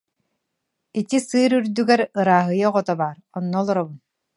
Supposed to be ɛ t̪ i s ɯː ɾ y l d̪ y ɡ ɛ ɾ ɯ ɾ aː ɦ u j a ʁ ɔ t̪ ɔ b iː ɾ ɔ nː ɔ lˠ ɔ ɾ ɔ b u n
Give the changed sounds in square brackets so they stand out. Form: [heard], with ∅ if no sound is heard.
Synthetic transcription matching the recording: [i] t̪ i s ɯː ɾ y [ɾ] d̪ y ɡ ɛ ɾ ɯ ɾ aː ɦ [ɯ] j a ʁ ɔ t̪ ɔ b [aː] ɾ ɔ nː ɔ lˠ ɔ ɾ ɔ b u n